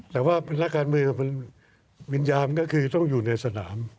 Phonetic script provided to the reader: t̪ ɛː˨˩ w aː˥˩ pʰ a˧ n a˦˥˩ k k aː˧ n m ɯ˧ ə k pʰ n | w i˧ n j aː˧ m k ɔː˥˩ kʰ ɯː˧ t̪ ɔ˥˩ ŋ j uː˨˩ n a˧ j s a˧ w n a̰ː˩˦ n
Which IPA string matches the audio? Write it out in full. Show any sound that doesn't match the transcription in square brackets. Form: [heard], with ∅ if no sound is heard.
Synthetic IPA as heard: t̪ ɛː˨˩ w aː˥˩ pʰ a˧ n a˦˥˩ k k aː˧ n m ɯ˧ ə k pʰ n | w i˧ n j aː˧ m k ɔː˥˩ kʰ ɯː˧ t̪ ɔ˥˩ ŋ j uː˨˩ n a˧ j s a˧ [∅] n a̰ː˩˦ [m]

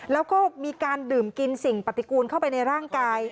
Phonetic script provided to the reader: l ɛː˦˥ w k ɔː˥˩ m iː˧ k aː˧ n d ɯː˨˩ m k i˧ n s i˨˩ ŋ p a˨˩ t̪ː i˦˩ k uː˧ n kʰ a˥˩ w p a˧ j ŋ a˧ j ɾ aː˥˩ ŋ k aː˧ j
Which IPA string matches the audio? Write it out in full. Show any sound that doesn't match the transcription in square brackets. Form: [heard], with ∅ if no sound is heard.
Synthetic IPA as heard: l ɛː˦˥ w k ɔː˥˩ m iː˧ k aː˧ n d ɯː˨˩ m k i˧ n s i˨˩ ŋ p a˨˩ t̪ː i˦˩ k uː˧ n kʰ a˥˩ w p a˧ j [n] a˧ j ɾ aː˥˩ ŋ k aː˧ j

